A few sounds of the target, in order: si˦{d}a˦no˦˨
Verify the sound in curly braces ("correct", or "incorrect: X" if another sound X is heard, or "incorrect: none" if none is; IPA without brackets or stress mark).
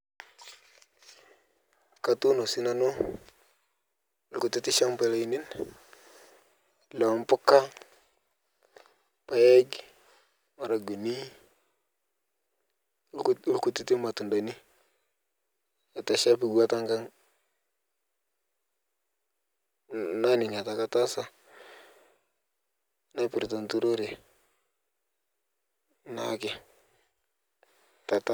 incorrect: n